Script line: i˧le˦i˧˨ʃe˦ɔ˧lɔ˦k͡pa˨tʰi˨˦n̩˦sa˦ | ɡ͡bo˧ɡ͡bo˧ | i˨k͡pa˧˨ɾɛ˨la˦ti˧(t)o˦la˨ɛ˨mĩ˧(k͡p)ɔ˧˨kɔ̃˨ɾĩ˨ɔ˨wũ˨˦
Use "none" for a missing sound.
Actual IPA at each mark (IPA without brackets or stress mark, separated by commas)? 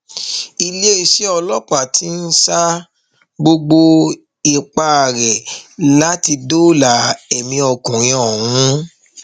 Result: d, none